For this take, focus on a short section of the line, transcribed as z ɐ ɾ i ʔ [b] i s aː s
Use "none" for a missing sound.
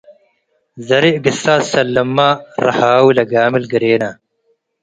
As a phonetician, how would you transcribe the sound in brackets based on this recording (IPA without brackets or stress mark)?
ɡ